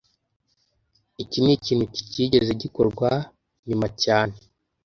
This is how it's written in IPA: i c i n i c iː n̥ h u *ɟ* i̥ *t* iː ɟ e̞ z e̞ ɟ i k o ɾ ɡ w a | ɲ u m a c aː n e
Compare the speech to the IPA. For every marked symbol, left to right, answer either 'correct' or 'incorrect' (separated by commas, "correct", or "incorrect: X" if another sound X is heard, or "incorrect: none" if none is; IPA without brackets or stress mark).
incorrect: c, incorrect: c